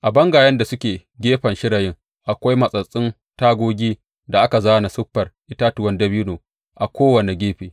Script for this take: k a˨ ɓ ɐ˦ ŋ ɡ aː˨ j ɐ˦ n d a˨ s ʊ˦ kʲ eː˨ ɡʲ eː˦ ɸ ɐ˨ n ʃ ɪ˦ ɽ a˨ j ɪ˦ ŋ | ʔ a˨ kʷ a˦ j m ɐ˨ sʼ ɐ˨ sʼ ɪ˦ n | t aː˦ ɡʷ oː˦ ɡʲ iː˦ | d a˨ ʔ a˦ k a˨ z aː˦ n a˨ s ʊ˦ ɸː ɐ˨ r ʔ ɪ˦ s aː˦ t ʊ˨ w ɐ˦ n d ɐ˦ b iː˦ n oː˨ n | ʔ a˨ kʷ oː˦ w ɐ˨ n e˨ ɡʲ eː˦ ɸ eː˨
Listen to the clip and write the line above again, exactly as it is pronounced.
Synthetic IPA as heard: ʔ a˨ b ɐ˦ ŋ ɡ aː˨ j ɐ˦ n d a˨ s ʊ˦ kʲ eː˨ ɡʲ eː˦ ɸ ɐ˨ n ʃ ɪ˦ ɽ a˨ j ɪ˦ ŋ | ʔ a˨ kʷ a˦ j m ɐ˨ sʼ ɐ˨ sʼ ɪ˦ n | t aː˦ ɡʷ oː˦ ɡʲ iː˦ | d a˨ ʔ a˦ k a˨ z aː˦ n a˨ s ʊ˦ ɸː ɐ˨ r ʔ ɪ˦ t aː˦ t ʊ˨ w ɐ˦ n d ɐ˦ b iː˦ n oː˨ | ʔ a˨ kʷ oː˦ w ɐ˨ n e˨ ɡʲ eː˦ ɸ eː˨